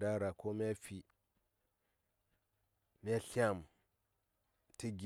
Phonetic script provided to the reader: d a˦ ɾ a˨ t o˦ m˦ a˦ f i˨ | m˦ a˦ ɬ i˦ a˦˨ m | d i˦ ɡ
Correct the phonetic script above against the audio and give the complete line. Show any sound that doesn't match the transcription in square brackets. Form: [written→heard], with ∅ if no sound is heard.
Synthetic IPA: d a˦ ɾ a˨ [t→k] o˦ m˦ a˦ f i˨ | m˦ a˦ ɬ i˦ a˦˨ m | [d→t] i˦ ɡ

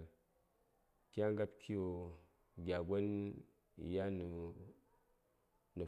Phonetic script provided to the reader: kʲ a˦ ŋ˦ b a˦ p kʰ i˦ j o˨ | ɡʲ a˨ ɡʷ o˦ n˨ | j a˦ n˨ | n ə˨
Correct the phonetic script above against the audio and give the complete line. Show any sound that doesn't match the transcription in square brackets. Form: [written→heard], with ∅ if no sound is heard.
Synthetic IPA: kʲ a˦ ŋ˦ [b→ɡ] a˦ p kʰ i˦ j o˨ | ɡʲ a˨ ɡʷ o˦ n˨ | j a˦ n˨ | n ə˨

